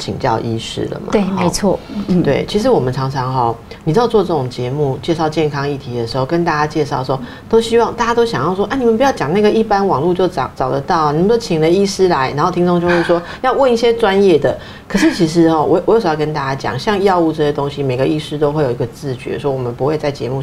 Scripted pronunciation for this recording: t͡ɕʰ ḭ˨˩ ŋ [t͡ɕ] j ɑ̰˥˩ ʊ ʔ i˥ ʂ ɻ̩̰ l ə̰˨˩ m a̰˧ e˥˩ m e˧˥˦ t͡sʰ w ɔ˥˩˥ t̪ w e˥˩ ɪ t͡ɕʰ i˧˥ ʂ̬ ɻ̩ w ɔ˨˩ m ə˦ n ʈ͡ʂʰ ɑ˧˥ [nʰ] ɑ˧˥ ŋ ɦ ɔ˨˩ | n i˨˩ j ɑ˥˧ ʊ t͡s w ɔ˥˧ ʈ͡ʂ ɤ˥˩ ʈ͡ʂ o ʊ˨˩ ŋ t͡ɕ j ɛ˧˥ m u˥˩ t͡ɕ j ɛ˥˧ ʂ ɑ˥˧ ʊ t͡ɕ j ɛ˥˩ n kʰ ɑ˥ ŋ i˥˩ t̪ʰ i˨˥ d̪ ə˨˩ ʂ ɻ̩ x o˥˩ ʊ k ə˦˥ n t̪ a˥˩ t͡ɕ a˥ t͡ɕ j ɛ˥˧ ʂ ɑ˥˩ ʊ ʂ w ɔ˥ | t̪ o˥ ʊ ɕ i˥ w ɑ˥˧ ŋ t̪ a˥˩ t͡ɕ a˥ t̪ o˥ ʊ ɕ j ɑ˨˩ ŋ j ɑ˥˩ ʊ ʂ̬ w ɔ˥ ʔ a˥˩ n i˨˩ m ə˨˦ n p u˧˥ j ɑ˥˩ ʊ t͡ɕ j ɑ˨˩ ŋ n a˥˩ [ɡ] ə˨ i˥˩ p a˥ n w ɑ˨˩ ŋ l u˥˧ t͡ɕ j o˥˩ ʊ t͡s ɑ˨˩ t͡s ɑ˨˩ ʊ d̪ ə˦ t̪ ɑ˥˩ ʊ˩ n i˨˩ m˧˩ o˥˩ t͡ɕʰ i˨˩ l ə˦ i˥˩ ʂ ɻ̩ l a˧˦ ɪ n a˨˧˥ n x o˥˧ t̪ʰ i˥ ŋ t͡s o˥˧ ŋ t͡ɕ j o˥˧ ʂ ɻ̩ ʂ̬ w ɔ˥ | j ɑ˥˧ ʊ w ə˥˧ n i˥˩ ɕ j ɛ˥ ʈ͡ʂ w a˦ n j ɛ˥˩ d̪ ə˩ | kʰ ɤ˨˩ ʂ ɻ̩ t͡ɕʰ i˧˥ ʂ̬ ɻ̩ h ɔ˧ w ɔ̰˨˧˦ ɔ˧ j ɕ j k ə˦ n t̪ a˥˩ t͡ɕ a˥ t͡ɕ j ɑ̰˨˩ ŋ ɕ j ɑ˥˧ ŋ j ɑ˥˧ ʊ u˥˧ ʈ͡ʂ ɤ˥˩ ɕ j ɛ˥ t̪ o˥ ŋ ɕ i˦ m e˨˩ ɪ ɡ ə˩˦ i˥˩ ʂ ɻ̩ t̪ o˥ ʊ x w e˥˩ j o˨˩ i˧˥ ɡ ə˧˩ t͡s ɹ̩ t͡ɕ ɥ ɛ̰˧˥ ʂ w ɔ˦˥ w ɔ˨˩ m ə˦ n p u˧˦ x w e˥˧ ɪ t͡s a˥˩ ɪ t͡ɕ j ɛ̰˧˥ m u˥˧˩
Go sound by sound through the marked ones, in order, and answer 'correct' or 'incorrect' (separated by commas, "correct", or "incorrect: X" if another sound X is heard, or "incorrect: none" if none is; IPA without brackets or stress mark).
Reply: correct, incorrect: ŋʰ, correct